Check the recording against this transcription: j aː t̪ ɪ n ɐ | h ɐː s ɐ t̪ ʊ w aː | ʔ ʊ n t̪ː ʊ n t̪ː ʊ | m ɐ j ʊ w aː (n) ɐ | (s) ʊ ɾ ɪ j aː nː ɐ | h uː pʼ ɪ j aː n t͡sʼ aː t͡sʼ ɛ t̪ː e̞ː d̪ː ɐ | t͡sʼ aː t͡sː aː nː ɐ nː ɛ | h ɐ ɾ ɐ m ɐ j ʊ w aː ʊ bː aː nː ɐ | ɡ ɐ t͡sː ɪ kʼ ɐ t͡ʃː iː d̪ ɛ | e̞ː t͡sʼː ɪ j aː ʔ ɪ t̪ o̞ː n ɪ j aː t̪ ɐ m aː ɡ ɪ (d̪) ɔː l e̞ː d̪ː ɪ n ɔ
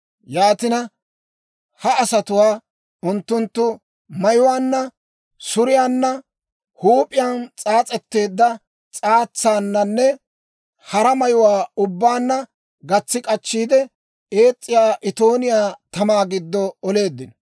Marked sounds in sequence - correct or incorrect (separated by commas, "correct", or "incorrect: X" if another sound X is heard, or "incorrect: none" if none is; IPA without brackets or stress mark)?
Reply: incorrect: nː, correct, incorrect: d̪ː